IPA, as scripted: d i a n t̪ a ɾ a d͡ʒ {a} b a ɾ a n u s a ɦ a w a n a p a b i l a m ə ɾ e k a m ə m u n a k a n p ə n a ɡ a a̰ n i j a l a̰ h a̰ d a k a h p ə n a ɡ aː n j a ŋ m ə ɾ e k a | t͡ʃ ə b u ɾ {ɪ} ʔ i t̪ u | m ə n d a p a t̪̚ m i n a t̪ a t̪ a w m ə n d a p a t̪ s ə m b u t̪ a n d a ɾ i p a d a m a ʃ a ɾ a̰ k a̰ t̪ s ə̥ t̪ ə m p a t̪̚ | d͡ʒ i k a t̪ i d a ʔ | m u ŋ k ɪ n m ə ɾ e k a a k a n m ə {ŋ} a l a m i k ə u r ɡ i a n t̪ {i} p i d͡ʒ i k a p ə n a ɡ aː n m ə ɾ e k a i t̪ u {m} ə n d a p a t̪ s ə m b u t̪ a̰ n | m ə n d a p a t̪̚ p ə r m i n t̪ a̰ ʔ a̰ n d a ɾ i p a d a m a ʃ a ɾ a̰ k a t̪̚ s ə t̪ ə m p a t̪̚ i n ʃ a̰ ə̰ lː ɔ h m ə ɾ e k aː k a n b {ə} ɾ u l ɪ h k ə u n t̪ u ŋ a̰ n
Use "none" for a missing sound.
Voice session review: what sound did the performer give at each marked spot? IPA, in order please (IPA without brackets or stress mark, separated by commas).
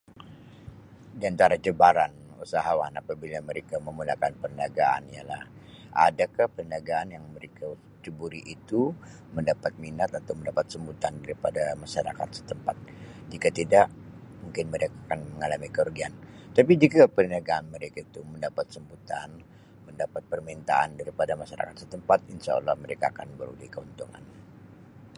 ə, i, ŋ, a, m, ə